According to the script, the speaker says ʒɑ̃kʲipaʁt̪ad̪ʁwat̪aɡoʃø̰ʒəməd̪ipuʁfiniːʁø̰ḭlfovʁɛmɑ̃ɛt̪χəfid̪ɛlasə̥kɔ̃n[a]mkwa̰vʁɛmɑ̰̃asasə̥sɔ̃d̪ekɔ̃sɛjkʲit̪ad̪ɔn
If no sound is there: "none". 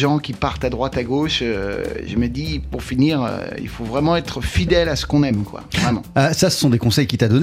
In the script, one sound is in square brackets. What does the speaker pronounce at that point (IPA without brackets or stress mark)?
ɛ